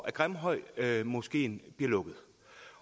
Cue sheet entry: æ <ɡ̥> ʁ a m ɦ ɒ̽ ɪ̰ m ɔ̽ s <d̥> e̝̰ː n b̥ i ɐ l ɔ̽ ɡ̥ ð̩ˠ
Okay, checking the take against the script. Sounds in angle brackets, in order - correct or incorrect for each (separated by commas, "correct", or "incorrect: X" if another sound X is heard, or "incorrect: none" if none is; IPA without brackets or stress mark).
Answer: correct, incorrect: ɡ̥